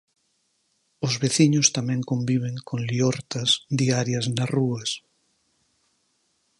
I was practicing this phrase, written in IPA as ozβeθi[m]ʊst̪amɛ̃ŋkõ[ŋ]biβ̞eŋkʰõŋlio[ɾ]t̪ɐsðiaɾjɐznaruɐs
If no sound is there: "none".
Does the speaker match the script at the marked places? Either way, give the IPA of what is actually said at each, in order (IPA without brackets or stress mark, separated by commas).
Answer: ɲ, m, ɾ